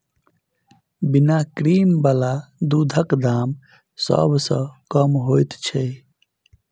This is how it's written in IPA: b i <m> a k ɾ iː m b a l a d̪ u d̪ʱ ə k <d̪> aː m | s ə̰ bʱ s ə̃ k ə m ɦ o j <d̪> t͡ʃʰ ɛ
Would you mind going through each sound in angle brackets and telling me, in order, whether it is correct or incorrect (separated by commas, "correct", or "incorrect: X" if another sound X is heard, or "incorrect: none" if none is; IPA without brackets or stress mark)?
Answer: incorrect: n, correct, incorrect: t̪